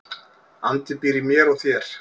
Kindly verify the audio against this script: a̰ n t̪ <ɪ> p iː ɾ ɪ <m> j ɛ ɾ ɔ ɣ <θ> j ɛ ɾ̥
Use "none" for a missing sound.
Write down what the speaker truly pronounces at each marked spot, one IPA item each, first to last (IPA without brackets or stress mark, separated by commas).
ɪ, m, θ